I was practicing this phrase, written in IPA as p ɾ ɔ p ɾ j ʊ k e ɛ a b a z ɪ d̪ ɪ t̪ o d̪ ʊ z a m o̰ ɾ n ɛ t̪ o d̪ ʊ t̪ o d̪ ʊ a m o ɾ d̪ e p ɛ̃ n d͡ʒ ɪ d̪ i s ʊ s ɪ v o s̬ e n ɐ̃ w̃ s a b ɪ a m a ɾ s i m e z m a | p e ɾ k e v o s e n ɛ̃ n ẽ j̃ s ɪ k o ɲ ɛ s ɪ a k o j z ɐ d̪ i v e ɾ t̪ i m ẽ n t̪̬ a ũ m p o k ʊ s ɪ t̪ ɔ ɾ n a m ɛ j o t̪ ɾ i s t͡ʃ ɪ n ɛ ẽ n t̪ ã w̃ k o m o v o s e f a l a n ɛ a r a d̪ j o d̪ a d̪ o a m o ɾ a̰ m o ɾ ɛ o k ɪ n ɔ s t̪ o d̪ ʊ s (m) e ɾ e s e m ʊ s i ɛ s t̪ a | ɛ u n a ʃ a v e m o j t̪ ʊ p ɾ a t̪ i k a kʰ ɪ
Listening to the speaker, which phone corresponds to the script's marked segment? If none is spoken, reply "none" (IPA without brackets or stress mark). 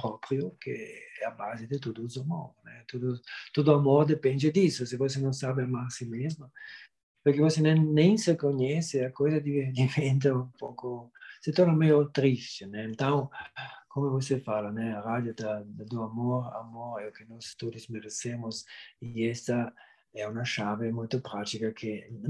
m